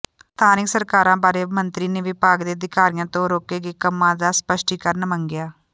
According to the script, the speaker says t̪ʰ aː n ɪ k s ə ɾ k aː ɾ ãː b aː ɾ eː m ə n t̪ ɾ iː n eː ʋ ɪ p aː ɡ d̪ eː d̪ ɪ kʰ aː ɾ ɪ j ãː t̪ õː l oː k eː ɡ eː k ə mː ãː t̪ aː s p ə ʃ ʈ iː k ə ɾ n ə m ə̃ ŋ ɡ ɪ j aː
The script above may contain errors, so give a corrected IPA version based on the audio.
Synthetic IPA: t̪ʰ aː n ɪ k s ə ɾ k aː ɾ ãː b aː ɾ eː m ə n t̪ ɾ iː n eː ʋ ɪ p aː ɡ d̪ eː d̪ ɪ k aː ɾ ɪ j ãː t̪ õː ɾ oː k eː ɡ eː k ə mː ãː d̪ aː s p ə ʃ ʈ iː k ə ɾ n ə m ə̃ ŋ ɡ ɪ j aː